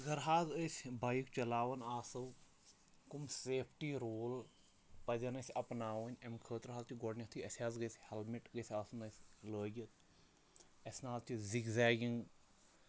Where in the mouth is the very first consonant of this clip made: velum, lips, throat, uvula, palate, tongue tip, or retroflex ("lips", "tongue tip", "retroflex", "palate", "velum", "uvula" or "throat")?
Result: velum